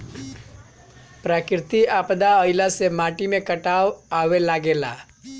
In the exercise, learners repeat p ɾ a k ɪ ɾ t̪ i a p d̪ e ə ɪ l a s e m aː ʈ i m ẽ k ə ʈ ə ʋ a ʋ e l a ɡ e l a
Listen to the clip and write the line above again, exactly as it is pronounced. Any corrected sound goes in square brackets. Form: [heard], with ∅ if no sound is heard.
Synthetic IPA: p ɾ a k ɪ ɾ t̪ i a p d̪ [a] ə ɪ l a s e m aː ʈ i m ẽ k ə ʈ [a] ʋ a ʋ e l a ɡ e l a